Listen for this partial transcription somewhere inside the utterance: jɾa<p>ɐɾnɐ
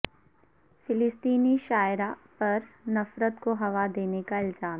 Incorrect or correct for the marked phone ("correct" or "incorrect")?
correct